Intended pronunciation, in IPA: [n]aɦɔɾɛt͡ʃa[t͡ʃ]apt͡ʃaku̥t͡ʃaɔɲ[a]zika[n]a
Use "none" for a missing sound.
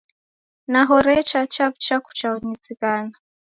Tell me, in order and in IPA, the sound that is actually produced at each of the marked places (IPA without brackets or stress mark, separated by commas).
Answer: n, t͡ʃ, i, n